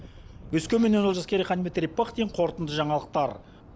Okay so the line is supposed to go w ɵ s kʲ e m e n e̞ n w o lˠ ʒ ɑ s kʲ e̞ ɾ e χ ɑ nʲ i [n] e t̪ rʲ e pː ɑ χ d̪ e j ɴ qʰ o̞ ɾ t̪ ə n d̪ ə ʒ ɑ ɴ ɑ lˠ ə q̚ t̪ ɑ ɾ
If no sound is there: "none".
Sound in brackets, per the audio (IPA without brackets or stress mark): m